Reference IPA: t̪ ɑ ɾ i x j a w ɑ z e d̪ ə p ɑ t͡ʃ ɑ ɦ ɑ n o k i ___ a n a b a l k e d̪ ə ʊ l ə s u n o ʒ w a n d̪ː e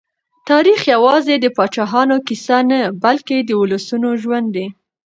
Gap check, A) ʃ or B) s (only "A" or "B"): B